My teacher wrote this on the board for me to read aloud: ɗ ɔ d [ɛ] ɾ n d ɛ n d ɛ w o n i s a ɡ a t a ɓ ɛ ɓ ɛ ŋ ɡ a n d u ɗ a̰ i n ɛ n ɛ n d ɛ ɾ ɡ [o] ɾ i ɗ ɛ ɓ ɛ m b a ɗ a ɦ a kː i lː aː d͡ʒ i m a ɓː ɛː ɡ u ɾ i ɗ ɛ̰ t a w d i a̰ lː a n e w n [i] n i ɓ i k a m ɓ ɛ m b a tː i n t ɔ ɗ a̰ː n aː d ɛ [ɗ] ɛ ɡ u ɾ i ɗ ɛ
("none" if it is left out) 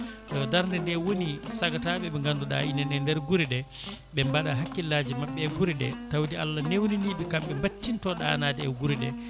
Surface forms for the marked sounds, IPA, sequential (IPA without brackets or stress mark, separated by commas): a, u, i, none